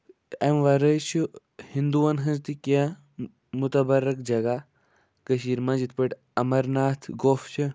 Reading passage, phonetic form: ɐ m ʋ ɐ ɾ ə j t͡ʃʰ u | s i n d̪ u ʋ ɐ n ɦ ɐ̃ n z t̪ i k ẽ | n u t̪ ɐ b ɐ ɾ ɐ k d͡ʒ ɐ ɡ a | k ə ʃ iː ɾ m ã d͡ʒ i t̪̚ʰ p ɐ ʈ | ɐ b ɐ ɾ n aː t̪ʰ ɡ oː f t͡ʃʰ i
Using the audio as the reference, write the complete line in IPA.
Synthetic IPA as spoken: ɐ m ʋ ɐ ɾ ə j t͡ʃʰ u | h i n d̪ u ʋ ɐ n ɦ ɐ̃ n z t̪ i k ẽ | m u t̪ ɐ b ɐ ɾ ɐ k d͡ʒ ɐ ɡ a | k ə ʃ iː ɾ m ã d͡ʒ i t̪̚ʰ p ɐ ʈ | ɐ m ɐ ɾ n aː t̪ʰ ɡ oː f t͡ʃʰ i